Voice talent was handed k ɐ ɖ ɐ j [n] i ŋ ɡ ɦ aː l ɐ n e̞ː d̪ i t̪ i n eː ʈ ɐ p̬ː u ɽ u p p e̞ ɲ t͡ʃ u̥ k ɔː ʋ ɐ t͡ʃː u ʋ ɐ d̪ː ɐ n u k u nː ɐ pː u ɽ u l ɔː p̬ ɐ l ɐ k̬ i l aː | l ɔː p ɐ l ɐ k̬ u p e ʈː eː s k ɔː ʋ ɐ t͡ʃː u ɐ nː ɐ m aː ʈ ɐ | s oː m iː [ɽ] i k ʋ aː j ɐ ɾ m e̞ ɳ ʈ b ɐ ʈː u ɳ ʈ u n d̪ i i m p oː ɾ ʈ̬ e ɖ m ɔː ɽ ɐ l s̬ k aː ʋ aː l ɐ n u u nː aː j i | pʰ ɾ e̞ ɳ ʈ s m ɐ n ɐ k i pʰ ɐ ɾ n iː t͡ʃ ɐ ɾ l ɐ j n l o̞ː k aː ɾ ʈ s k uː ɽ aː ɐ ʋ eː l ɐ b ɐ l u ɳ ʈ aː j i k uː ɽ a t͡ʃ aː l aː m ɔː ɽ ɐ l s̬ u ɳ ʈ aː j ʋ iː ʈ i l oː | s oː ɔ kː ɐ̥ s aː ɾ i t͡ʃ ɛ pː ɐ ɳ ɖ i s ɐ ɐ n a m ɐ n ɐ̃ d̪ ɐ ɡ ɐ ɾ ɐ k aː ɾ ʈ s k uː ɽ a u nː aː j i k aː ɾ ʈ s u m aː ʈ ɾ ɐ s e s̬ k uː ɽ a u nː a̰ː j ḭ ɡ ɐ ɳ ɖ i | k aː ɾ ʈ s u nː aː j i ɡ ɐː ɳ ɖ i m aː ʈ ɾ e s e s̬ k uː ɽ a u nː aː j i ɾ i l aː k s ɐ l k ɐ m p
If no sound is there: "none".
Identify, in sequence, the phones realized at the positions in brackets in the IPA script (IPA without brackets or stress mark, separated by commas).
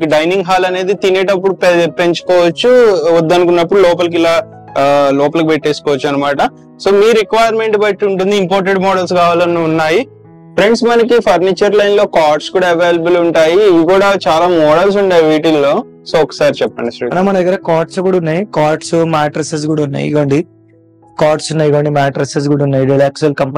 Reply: n, ɾ